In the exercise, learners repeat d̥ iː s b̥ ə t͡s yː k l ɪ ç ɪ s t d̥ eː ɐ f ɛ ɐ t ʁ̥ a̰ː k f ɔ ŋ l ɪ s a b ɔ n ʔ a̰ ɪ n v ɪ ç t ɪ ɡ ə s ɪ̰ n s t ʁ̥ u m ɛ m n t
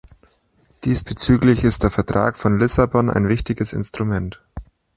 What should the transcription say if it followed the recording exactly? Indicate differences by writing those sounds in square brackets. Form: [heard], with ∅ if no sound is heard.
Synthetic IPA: d̥ iː s b̥ ə t͡s yː k l ɪ ç ɪ s t d̥ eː ɐ f ɛ ɐ t ʁ̥ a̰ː k f ɔ [n] l ɪ s a b ɔ n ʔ a̰ ɪ n v ɪ ç t ɪ ɡ ə s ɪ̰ n s t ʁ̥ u m ɛ [∅] n t